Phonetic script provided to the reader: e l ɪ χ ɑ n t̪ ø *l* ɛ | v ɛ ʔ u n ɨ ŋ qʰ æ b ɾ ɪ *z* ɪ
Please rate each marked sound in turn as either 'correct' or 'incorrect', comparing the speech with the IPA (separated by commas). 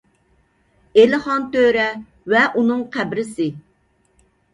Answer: incorrect, incorrect